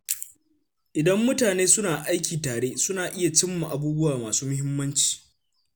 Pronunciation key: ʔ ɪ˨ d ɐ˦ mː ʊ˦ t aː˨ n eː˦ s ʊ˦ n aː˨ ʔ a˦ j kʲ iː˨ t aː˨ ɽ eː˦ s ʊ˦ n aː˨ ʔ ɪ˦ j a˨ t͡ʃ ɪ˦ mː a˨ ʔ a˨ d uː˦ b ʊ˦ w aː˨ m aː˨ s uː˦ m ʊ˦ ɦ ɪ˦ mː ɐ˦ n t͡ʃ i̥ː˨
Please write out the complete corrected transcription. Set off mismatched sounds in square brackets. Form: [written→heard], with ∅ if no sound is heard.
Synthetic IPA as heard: ʔ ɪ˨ d ɐ˦ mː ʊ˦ t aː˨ n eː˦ s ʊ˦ n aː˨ ʔ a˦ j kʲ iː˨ t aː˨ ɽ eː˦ s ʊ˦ n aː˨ ʔ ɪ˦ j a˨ t͡ʃ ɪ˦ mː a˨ ʔ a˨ [d→b] uː˦ b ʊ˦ w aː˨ m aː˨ s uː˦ m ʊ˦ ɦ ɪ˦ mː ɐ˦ n t͡ʃ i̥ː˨

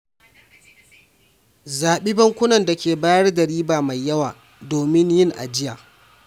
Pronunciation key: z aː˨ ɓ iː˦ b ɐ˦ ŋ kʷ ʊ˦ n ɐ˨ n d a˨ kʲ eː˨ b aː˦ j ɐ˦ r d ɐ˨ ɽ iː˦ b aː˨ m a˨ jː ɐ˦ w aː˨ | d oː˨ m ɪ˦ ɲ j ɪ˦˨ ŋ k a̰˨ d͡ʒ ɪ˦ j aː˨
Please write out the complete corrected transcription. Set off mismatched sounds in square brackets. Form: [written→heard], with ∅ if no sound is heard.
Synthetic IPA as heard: z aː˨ ɓ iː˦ b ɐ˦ ŋ kʷ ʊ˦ n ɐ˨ n d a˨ kʲ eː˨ b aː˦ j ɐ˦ r d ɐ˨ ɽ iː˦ b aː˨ m a˨ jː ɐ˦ w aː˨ | d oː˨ m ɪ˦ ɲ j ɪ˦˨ ŋ [k→ʔ] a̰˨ d͡ʒ ɪ˦ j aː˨

